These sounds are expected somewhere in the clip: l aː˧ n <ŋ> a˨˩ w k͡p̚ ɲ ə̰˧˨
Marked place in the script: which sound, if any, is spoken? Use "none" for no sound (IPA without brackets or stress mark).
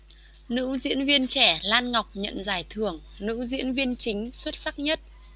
ŋ